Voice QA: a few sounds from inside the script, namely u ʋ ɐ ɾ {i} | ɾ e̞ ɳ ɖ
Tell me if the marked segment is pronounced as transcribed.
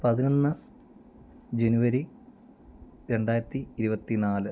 yes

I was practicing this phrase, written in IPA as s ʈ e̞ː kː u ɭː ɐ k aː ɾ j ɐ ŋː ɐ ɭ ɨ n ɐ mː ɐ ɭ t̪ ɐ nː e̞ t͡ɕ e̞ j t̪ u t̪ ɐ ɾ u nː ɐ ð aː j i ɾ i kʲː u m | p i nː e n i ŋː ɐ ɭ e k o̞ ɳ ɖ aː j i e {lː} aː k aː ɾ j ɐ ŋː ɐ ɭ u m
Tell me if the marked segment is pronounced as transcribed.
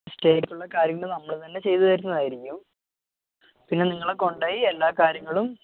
yes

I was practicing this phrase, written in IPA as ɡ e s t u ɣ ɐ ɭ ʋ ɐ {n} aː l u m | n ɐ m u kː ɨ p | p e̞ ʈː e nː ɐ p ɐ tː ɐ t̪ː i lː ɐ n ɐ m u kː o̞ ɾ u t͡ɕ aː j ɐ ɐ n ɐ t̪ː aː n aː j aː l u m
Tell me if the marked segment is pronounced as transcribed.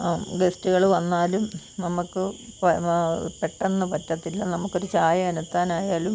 no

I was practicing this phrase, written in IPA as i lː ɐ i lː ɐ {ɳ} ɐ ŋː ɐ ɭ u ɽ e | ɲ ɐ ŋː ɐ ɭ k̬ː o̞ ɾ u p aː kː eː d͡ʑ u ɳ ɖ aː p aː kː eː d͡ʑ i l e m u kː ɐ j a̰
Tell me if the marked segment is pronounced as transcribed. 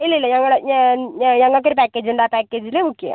no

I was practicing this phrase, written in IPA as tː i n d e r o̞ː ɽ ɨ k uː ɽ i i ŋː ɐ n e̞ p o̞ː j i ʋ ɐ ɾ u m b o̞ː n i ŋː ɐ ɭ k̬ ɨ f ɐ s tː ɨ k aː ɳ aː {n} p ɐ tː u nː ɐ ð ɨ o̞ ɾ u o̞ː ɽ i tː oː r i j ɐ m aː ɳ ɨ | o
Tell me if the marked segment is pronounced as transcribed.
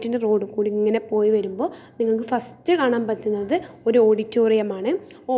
no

